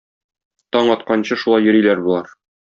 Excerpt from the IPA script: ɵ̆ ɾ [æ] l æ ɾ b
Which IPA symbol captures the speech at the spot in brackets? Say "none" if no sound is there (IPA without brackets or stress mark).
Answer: i